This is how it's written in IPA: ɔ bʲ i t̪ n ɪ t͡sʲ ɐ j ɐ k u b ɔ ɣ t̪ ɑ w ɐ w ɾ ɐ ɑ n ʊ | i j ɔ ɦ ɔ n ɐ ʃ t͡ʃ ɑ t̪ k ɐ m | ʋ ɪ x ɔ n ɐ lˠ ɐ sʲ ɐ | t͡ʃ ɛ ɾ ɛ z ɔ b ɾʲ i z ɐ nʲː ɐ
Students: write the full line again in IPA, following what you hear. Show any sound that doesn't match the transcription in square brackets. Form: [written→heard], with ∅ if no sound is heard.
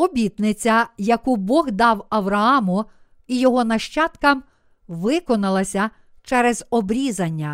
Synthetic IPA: ɔ bʲ i t̪ n ɪ t͡sʲ ɐ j ɐ k u b ɔ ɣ [t̪→d̪] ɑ w ɐ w ɾ ɐ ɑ [n→m] ʊ | i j ɔ ɦ ɔ n ɐ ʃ t͡ʃ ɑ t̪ k ɐ m | ʋ ɪ [x→k] ɔ n ɐ lˠ ɐ sʲ ɐ | t͡ʃ ɛ ɾ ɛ z ɔ b ɾʲ i z ɐ nʲː ɐ